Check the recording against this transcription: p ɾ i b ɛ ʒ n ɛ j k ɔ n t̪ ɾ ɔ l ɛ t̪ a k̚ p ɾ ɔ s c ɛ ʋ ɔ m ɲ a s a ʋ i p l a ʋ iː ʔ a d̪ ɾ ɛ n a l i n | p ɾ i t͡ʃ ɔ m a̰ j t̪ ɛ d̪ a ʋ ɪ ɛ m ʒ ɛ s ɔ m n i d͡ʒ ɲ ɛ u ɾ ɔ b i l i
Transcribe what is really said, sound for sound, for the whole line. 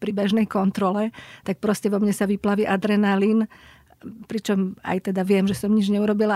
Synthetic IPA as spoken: p ɾ i b ɛ ʒ n ɛ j k ɔ n t̪ ɾ ɔ l ɛ t̪ a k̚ p ɾ ɔ s c ɛ ʋ ɔ m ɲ ɛ s a ʋ i p l a ʋ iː ʔ a d̪ ɾ ɛ n a l i n | p ɾ i t͡ʃ ɔ m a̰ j t̪ ɛ d̪ a ʋ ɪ ɛ m ʒ ɛ s ɔ m ɲ i d͡ʒ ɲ ɛ u ɾ ɔ b i l a